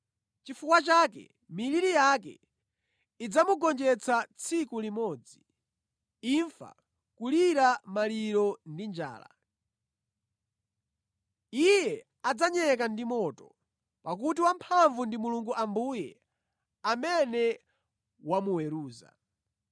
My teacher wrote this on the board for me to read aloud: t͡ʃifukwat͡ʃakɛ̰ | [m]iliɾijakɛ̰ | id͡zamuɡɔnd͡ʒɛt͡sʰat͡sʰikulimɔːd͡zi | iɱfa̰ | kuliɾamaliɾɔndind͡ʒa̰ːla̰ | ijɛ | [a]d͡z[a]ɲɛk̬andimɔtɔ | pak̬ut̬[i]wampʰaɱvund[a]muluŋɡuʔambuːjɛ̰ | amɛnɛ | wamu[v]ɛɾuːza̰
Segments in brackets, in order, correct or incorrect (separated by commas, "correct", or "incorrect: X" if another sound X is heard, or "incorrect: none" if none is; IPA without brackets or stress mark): correct, correct, correct, correct, incorrect: i, incorrect: w